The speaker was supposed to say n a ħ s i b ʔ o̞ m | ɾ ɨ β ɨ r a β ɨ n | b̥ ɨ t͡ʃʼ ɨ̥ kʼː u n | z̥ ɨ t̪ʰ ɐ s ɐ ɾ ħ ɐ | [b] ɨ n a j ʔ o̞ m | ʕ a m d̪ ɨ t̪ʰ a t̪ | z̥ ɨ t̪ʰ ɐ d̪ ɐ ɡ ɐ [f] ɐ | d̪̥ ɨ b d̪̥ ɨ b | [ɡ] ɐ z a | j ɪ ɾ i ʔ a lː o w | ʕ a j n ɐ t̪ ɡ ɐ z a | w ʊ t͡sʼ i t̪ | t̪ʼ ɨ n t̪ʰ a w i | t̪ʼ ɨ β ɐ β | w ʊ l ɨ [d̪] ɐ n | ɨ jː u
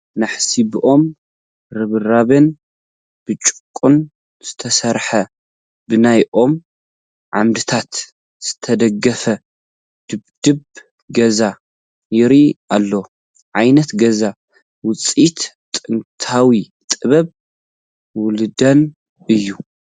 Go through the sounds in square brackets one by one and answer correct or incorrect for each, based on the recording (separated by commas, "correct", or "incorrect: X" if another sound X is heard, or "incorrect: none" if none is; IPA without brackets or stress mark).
correct, correct, correct, correct